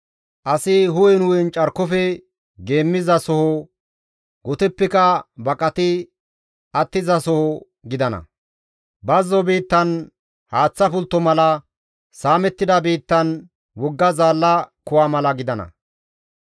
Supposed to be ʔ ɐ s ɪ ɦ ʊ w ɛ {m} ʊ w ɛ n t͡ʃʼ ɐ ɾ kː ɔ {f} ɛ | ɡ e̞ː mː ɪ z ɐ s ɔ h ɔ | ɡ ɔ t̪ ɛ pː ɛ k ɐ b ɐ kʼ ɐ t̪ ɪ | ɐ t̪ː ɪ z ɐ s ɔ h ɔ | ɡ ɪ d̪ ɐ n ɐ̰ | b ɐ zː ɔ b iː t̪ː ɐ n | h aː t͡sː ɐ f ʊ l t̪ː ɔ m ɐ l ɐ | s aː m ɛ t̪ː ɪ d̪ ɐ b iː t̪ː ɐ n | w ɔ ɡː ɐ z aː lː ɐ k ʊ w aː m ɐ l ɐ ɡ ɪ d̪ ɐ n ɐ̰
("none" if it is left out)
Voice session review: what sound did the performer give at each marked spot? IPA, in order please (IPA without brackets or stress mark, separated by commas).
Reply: n, f